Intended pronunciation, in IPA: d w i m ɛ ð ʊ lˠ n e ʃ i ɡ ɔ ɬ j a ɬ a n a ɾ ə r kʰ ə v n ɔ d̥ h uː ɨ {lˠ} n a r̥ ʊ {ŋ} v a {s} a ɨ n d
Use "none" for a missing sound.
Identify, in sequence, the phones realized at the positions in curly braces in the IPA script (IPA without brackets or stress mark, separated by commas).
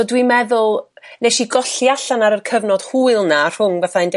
lˠ, ŋ, θ